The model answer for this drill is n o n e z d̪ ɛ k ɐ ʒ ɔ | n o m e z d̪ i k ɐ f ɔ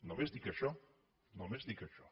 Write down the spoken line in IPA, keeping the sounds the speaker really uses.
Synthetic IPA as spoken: n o m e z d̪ i k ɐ ʃ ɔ | n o m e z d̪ i k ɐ ʃ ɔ